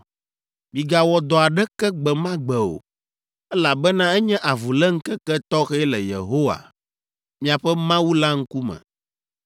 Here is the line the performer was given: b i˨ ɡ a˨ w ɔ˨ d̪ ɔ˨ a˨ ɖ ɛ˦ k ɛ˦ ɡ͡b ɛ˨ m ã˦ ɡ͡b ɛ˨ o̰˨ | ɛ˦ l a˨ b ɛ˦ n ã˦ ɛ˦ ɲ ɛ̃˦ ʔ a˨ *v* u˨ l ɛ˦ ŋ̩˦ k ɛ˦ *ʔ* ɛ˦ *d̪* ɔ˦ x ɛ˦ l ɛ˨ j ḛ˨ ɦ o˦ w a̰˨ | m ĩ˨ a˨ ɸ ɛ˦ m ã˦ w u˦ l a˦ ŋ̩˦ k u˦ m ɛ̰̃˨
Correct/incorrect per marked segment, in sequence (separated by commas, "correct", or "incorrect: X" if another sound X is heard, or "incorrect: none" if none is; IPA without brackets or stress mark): correct, incorrect: k, incorrect: t̪